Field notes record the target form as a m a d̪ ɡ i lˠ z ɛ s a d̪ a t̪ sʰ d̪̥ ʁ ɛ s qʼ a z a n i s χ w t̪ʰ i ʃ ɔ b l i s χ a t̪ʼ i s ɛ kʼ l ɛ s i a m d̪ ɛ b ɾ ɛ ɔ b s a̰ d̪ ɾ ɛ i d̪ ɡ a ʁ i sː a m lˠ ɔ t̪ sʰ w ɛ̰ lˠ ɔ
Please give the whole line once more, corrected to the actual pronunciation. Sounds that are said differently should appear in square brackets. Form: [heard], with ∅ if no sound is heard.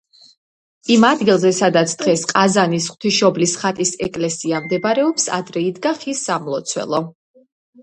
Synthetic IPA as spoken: [i] m a d̪ ɡ i lˠ z ɛ s a d̪ a t̪ sʰ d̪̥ ʁ ɛ s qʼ a z a n i s χ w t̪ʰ i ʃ ɔ b l i s χ a t̪ʼ i s ɛ kʼ l ɛ s i a m d̪ ɛ b ɾ ɛ ɔ [p] s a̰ d̪ ɾ ɛ i d̪ ɡ a [χ] i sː a m lˠ ɔ t̪ sʰ w ɛ̰ lˠ ɔ